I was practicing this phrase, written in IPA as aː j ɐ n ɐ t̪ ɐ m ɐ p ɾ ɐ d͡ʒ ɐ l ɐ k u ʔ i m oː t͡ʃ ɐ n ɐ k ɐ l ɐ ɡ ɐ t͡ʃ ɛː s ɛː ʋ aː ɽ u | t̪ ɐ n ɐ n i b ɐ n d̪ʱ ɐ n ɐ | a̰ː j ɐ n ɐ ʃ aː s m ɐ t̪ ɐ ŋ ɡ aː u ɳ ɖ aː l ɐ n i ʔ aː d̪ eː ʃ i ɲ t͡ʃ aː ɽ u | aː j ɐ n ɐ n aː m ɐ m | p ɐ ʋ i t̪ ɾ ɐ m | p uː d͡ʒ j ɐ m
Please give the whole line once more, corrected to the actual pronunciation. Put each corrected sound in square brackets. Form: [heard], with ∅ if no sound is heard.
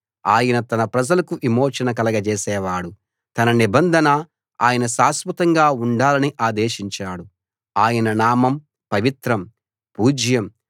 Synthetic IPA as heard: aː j ɐ n ɐ t̪ ɐ [n] ɐ p ɾ ɐ d͡ʒ ɐ l ɐ k u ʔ i m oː t͡ʃ ɐ n ɐ k ɐ l ɐ ɡ ɐ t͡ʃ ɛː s ɛː ʋ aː ɽ u | t̪ ɐ n ɐ n i b ɐ n d̪ʱ ɐ n ɐ | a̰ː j ɐ n ɐ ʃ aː s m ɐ t̪ ɐ ŋ ɡ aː u ɳ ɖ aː l ɐ n i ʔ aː d̪ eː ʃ i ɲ t͡ʃ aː ɽ u | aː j ɐ n ɐ n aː m ɐ m | p ɐ ʋ i t̪ ɾ ɐ m | p uː d͡ʒ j ɐ m

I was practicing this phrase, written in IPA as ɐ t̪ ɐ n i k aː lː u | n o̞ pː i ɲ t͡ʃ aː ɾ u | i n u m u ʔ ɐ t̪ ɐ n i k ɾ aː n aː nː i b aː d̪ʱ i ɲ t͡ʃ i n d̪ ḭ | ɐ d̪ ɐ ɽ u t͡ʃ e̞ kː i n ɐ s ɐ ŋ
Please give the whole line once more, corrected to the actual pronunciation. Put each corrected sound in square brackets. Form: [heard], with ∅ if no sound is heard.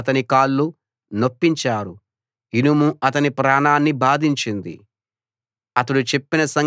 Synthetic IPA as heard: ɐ t̪ ɐ n i k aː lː u | n o̞ pː i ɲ t͡ʃ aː ɾ u | i n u m u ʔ ɐ t̪ ɐ n i [p] ɾ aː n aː nː i b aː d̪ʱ i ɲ t͡ʃ i n d̪ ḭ | ɐ [t̪] ɐ ɽ u t͡ʃ e̞ [pː] i n ɐ s ɐ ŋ

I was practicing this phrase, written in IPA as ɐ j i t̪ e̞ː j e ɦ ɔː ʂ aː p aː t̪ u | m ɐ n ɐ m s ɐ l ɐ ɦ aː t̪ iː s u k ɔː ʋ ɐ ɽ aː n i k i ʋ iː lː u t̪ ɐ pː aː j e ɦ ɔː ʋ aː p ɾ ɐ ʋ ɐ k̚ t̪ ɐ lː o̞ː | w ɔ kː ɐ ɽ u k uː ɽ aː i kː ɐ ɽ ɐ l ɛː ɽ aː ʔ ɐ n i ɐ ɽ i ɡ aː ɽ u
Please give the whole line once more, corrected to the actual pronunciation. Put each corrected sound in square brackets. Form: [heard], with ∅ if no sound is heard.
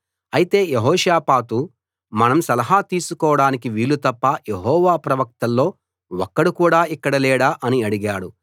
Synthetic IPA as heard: ɐ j i t̪ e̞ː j e ɦ ɔː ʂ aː p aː t̪ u | m ɐ n ɐ m s ɐ l ɐ ɦ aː t̪ iː s u k ɔː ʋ ɐ ɽ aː n i k i ʋ iː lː u t̪ ɐ pː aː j e ɦ ɔː ʋ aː p ɾ ɐ ʋ ɐ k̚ t̪ ɐ lː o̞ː | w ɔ kː ɐ ɽ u k uː ɽ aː i kː ɐ ɽ ɐ l ɛː ɽ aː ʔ ɐ n i ɐ ɽ i ɡ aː ɽ u

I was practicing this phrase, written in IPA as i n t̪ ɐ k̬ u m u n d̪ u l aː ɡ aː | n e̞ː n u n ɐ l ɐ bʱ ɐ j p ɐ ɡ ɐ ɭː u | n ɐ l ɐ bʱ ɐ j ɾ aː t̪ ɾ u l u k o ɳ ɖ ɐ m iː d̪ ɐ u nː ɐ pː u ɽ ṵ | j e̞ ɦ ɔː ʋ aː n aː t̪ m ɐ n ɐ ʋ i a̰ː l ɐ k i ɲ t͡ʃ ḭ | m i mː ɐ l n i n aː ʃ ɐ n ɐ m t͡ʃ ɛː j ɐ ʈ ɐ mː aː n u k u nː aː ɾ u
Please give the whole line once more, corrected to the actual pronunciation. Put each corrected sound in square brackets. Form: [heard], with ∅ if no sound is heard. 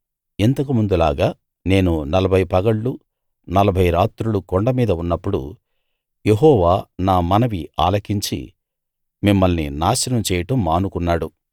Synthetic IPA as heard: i n t̪ ɐ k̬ u m u n d̪ u l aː ɡ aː | n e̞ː n u n ɐ l ɐ bʱ ɐ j p ɐ ɡ ɐ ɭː u | n ɐ l ɐ bʱ ɐ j ɾ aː t̪ ɾ u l u k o ɳ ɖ ɐ m iː d̪ ɐ u nː ɐ pː u ɽ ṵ | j e̞ ɦ ɔː ʋ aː n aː [∅] m ɐ n ɐ ʋ i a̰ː l ɐ k i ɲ t͡ʃ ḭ | m i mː ɐ l n i n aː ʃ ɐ n ɐ m t͡ʃ ɛː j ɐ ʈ ɐ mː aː n u k u nː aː [ɽ] u

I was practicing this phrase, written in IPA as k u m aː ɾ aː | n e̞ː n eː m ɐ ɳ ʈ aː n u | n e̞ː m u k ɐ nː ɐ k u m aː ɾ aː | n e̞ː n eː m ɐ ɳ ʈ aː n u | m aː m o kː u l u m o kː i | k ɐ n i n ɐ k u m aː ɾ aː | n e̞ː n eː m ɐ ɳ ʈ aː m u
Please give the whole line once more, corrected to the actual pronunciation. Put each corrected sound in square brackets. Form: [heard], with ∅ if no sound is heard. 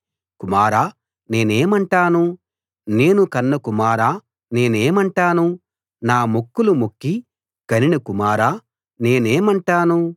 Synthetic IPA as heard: k u m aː ɾ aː | n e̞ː n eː m ɐ ɳ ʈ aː n u | n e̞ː [n] u k ɐ nː ɐ k u m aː ɾ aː | n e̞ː n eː m ɐ ɳ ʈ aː n u | [n] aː m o kː u l u m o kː i | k ɐ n i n ɐ k u m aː ɾ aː | n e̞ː n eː m ɐ ɳ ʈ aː [n] u

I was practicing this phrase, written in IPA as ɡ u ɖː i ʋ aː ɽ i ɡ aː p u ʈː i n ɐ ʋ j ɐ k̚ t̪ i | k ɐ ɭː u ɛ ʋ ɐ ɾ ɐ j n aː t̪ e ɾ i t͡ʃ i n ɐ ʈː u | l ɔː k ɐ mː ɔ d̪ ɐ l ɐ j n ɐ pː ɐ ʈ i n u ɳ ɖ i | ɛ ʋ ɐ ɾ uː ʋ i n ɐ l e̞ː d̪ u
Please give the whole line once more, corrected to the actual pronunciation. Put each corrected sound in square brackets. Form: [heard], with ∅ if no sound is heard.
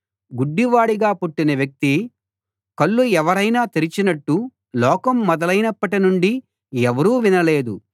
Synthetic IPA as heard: ɡ u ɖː i ʋ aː ɽ i ɡ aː p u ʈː i n ɐ ʋ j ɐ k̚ t̪ i | k ɐ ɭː u ɛ ʋ ɐ ɾ ɐ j n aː t̪ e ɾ i t͡ʃ i n ɐ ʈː u | l ɔː k ɐ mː ɔ d̪ ɐ l ɐ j n ɐ pː ɐ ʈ i n u ɳ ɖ i | ɛ ʋ ɐ ɾ uː ʋ i n ɐ l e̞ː d̪ u

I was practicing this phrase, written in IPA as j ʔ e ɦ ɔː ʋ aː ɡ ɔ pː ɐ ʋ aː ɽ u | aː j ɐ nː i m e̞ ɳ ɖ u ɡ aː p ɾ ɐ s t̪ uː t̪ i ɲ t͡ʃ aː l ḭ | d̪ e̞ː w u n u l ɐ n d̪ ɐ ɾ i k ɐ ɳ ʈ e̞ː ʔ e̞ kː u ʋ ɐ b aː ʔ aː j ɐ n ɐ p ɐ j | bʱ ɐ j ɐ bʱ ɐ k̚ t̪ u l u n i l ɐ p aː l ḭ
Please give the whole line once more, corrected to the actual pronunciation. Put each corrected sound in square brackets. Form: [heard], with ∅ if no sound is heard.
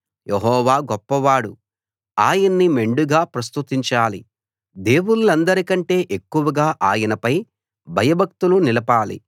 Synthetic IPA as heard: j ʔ e ɦ ɔː ʋ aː ɡ ɔ pː ɐ ʋ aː ɽ u | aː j ɐ nː i m e̞ ɳ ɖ u ɡ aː p ɾ ɐ s t̪ [u] t̪ i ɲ t͡ʃ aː l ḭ | d̪ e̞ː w u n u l ɐ n d̪ ɐ ɾ i k ɐ ɳ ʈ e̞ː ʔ e̞ kː u ʋ ɐ [ɡ] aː ʔ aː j ɐ n ɐ p ɐ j | bʱ ɐ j ɐ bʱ ɐ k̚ t̪ u l u n i l ɐ p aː l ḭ

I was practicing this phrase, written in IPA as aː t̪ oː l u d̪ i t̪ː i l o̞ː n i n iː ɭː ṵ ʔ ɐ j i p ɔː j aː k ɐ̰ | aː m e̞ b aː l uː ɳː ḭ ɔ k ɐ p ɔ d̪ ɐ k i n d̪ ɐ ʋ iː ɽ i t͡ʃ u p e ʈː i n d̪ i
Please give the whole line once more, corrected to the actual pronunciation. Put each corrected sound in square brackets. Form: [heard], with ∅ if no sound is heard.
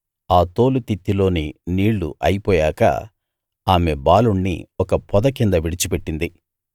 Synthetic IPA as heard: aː t̪ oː l u [t̪] i t̪ː i l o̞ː n i n iː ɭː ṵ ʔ ɐ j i p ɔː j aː k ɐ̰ | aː m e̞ b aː l [u] ɳː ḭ ɔ k ɐ p ɔ d̪ ɐ k i n d̪ ɐ ʋ [i] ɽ i t͡ʃ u p e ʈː i n d̪ i

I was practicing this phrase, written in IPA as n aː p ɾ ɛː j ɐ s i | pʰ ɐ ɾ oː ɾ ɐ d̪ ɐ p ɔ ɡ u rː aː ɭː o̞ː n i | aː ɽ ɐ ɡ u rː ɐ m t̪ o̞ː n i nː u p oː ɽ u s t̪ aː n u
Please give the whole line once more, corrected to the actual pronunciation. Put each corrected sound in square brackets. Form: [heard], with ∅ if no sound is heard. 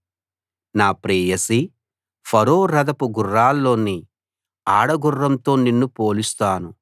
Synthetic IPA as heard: n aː p ɾ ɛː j ɐ s i | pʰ ɐ ɾ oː ɾ ɐ d̪ ɐ p [u] ɡ u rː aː [lː] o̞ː n i | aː ɽ ɐ ɡ u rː ɐ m t̪ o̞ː n i nː u p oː [l] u s t̪ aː n u

